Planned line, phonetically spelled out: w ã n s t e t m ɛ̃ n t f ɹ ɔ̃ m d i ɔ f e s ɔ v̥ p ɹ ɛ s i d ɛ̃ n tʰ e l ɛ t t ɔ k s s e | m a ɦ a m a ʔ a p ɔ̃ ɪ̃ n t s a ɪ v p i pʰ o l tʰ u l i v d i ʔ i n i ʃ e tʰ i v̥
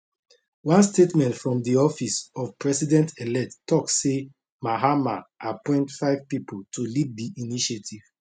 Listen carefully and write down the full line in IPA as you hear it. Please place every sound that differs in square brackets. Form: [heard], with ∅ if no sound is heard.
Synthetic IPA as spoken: w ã n s t e t m ɛ̃ n t f ɹ ɔ̃ m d i ɔ f [i] s ɔ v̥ p ɹ ɛ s i d ɛ̃ n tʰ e l ɛ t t ɔ k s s e | m a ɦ a m a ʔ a p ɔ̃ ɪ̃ n t [f] a ɪ v p i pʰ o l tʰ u l i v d i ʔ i n i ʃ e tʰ i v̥